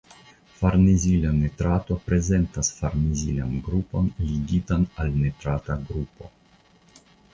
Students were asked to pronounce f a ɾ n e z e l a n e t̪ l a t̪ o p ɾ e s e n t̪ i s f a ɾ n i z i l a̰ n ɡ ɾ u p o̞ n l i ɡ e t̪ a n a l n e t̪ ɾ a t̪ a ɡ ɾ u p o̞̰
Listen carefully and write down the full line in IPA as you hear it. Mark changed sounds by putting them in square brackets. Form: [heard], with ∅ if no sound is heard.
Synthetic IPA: f a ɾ n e z [i] l a n e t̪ [ɾ] a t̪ o p ɾ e [z] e n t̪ [a] s f a ɾ n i z i l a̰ n ɡ ɾ u p o̞ n l i ɡ [i] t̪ a n a l n e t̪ ɾ a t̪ a ɡ ɾ u p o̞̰